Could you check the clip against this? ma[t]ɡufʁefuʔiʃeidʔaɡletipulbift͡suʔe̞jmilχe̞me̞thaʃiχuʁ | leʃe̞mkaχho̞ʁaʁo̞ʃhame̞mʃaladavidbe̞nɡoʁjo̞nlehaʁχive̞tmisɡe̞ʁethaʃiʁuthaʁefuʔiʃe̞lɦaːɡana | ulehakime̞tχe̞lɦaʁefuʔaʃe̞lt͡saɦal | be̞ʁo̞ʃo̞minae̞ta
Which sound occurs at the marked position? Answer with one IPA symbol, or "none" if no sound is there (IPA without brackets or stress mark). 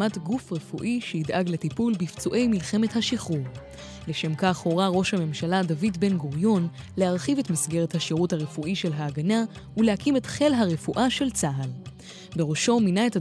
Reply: t